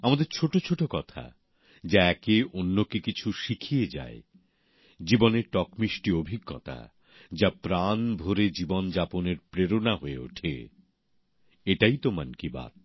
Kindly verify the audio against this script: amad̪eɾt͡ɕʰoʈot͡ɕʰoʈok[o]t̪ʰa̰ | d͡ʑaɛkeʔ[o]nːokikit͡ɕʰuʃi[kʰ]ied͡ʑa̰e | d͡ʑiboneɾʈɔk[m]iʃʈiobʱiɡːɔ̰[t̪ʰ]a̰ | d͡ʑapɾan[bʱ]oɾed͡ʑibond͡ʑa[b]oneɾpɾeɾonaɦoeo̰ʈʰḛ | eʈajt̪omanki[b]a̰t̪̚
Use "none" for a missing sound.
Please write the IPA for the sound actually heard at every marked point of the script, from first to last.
ɔ, o, kʰ, m, t̪, bʱ, p, b

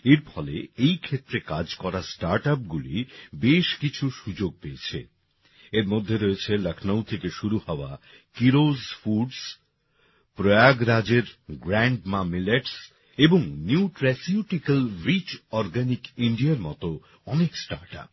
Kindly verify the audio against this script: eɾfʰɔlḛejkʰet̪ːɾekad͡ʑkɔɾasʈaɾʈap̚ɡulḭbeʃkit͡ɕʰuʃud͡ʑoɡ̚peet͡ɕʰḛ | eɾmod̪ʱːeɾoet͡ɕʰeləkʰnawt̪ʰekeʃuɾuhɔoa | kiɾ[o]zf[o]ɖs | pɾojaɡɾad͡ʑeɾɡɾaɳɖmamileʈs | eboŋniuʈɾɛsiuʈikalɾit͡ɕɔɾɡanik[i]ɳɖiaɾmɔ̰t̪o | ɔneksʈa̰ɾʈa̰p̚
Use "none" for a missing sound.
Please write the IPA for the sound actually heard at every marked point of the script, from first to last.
o, u, i

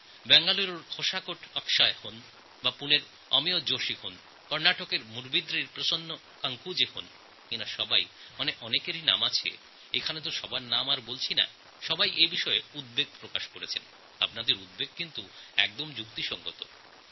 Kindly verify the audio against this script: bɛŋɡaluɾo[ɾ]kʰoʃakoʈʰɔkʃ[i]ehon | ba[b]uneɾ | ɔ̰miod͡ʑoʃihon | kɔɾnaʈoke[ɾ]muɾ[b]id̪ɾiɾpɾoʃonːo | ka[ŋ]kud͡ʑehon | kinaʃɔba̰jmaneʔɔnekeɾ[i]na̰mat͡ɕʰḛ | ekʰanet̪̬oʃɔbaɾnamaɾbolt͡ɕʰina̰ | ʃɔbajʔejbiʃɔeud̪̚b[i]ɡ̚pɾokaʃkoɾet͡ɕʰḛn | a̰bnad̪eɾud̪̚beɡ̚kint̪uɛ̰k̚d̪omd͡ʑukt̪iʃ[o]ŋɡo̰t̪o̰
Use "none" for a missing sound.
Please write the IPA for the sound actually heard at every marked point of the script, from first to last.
ɾ, a, p, ɾ, b, ŋ, i, e, ɔ

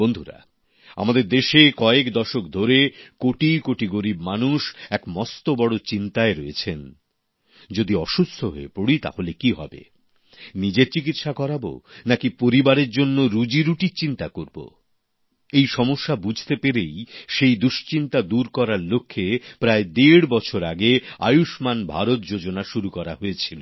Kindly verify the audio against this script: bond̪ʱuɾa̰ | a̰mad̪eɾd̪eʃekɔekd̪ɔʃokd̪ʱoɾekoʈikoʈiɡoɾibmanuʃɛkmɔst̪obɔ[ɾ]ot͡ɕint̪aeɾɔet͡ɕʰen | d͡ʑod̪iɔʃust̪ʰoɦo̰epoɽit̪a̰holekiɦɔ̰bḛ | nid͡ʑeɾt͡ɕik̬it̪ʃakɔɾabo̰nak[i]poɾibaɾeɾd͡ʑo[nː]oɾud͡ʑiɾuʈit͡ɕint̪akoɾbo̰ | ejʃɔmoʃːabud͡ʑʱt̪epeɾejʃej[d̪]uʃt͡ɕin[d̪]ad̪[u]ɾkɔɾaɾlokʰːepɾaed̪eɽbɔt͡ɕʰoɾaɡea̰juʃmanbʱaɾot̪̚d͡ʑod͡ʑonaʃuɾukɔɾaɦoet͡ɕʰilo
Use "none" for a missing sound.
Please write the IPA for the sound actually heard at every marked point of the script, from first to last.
ɽ, i, nː, d̪, t̪, u

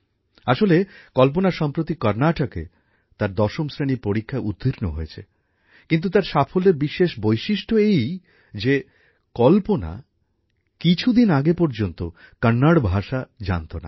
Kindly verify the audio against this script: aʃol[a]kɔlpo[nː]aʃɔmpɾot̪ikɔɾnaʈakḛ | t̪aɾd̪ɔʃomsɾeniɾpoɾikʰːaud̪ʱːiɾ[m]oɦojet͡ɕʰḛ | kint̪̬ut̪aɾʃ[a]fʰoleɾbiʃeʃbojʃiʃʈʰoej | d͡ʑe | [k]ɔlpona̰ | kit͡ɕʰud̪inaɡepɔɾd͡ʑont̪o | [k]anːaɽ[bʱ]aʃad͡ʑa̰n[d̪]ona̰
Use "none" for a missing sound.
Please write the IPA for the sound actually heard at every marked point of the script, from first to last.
e, n, n, a, k, k, bʱ, t̪

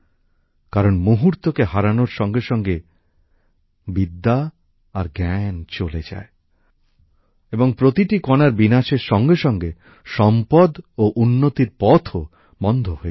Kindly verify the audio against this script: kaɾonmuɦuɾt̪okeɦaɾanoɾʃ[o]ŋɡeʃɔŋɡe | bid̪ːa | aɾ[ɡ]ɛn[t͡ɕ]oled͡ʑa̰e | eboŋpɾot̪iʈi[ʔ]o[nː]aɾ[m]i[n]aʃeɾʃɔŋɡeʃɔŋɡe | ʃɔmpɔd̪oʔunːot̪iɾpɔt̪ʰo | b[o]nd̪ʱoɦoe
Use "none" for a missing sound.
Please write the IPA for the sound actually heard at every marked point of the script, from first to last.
ɔ, ɡ, t͡ɕ, k, n, b, n, ɔ

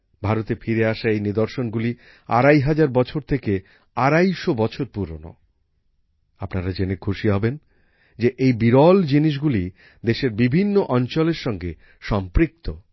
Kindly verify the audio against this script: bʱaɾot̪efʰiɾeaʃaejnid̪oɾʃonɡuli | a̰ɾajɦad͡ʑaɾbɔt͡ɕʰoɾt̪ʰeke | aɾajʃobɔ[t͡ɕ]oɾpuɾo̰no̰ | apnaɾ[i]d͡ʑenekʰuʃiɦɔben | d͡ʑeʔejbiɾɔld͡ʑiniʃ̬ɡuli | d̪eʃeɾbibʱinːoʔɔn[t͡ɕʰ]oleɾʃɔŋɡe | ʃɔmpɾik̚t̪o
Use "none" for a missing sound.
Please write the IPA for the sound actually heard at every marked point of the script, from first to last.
t͡ɕʰ, a, t͡ɕ

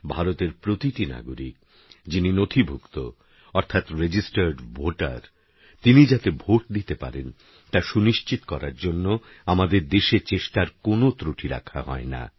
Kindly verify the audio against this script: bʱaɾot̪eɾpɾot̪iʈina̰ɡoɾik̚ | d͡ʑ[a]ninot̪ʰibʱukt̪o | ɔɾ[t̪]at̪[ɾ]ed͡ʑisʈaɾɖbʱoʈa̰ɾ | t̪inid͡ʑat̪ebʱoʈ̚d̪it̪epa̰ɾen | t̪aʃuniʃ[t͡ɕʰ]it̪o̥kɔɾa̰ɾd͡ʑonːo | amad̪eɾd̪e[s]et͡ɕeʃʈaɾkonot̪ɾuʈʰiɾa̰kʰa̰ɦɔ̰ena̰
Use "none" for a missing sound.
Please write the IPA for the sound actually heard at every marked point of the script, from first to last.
i, t̪ʰ, ɾ, t͡ɕ, ʃ

